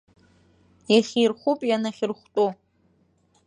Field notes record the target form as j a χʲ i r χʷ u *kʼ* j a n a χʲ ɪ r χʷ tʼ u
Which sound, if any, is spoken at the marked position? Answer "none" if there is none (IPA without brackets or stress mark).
pʼ